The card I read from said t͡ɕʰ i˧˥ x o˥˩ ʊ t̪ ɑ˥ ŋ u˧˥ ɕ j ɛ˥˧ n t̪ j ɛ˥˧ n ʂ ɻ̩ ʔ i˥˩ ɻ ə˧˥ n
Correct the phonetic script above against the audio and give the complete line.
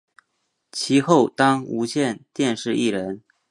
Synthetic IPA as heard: t͡ɕʰ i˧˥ x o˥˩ ʊ t̪ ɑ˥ ŋ u˧˥ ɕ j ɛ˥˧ n t̪ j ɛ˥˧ n ʂ ɻ̩ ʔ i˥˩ ɻ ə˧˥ n